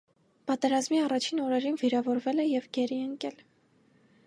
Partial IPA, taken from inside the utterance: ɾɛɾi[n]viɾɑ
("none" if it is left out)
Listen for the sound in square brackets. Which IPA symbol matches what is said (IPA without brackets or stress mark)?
n